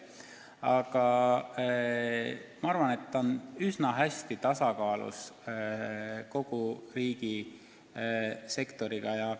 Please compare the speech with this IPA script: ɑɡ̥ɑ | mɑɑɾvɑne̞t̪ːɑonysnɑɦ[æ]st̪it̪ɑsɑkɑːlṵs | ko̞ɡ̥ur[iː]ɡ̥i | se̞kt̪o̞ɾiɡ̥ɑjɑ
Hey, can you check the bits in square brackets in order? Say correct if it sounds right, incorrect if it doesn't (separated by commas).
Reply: correct, correct